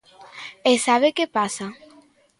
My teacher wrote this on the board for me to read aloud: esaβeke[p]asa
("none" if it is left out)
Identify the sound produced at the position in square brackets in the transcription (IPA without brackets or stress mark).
p